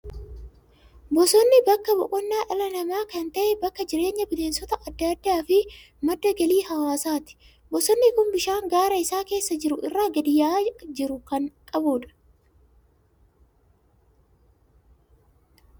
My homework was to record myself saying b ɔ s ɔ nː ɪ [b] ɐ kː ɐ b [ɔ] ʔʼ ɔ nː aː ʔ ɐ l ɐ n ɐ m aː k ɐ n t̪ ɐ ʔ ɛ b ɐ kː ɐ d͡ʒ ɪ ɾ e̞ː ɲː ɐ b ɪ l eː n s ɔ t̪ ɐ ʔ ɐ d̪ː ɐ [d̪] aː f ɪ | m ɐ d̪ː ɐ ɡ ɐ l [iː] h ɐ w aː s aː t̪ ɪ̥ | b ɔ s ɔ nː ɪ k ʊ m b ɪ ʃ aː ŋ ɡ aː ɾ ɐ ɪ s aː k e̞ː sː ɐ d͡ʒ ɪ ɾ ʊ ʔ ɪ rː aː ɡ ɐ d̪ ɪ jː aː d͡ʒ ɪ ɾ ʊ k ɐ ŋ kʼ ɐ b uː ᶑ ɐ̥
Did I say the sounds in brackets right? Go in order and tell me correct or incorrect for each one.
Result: correct, correct, incorrect: d̪ː, correct

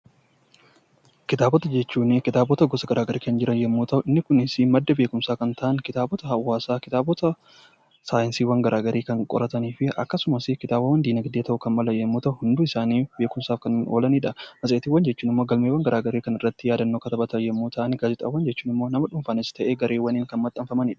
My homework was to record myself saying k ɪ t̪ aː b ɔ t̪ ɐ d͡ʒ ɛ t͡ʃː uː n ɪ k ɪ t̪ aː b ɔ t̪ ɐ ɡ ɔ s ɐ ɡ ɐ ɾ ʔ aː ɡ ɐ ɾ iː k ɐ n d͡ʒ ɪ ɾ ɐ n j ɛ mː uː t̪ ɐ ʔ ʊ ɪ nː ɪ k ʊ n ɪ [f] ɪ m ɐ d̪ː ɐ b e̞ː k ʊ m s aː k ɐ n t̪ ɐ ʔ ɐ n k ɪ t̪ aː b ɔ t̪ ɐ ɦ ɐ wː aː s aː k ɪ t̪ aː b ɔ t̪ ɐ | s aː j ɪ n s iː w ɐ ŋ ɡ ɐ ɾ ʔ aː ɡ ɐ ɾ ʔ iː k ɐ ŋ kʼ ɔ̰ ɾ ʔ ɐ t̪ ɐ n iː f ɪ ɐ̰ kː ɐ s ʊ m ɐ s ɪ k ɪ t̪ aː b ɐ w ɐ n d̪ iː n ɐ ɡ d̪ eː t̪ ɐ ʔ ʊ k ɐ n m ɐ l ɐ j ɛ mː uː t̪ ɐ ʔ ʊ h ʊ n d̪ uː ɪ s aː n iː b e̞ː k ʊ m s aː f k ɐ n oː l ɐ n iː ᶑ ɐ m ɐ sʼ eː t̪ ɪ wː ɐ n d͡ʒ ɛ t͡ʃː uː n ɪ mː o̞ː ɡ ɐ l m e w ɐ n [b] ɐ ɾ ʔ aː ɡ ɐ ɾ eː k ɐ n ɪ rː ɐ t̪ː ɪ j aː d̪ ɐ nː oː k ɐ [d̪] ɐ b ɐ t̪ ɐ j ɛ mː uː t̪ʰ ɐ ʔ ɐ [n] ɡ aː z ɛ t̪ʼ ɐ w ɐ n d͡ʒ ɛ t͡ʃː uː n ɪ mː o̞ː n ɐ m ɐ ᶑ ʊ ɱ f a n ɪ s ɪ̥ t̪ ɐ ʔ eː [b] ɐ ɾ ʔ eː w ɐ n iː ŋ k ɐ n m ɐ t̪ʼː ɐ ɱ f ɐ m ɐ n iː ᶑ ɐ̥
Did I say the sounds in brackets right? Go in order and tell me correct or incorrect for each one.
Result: incorrect: s, incorrect: ɡ, incorrect: t̪, correct, incorrect: ɡ

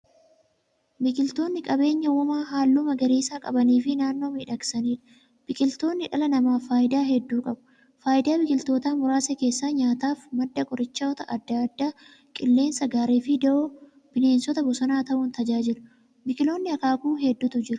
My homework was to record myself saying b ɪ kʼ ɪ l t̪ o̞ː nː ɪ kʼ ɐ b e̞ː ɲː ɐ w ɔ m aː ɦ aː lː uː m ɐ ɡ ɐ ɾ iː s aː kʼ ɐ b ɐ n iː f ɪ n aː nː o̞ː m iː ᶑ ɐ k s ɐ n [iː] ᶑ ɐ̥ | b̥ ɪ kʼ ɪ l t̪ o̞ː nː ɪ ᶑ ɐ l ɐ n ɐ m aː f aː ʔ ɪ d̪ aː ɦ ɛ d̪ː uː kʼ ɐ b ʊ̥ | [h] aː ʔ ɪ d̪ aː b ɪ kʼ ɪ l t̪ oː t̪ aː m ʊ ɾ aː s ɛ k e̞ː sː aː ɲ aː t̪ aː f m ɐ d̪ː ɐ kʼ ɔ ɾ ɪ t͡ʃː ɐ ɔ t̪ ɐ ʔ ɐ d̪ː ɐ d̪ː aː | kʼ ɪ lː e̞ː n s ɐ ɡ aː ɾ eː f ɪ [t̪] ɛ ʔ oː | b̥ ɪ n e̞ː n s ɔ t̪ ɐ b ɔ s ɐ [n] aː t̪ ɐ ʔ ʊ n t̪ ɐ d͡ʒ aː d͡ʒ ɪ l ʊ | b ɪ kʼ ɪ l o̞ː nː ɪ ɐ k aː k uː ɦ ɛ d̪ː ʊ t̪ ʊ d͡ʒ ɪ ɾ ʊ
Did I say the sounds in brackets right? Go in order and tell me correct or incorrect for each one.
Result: correct, incorrect: f, incorrect: d̪, correct

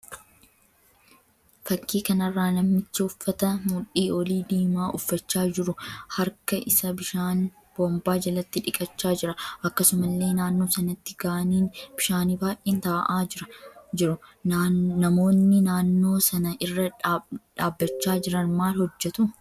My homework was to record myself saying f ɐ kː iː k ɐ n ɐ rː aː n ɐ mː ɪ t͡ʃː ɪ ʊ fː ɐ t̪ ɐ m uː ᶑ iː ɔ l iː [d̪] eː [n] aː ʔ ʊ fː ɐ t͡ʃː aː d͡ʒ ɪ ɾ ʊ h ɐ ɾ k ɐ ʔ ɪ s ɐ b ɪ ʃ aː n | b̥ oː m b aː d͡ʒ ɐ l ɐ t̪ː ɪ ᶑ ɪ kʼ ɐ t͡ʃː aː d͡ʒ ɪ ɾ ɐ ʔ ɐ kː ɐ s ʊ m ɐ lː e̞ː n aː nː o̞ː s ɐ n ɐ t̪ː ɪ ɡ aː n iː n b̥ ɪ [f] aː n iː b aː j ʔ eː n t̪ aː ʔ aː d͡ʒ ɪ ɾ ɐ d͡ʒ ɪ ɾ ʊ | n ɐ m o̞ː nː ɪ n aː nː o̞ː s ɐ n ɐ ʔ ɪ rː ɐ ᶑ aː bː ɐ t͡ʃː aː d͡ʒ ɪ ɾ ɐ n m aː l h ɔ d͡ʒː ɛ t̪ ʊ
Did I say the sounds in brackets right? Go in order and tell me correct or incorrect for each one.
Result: correct, incorrect: m, incorrect: ʃ

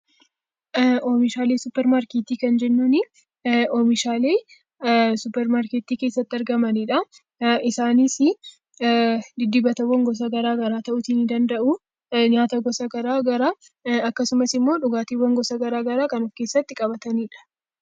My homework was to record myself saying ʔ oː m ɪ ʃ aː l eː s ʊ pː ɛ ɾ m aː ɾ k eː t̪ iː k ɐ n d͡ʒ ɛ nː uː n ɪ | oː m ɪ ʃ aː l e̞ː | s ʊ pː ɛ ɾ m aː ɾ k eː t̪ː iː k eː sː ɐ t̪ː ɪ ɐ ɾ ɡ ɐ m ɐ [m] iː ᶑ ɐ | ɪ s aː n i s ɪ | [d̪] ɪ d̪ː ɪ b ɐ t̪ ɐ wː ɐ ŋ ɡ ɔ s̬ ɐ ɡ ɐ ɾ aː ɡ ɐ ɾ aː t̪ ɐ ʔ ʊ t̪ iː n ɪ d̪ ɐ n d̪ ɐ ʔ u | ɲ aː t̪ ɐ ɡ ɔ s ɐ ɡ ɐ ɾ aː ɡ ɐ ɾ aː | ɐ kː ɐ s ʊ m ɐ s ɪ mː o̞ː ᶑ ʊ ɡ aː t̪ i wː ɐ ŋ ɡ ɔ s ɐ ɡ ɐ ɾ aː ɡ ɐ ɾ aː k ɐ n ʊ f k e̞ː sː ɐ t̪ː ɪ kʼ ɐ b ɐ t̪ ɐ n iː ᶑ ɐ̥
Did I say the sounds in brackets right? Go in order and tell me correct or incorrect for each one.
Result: incorrect: n, correct

